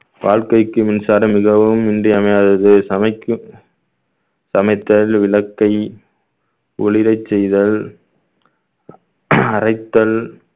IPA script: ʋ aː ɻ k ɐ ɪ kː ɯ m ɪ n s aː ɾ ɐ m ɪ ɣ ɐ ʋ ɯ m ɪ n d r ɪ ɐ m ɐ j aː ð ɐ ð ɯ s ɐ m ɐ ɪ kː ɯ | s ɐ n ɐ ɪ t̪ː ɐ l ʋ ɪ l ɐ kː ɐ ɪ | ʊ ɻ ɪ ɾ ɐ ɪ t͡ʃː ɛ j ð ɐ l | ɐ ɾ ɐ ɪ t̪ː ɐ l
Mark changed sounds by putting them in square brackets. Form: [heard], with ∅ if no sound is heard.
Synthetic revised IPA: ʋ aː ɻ k ɐ ɪ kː ɯ m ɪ n s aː ɾ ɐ m ɪ ɣ ɐ ʋ ɯ m ɪ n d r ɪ ɐ m ɐ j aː ð ɐ ð ɯ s ɐ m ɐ ɪ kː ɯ | s ɐ [m] ɐ ɪ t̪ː ɐ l ʋ ɪ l ɐ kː ɐ ɪ | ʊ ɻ ɪ ɾ ɐ ɪ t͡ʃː ɛ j ð ɐ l | ɐ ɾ ɐ ɪ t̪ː ɐ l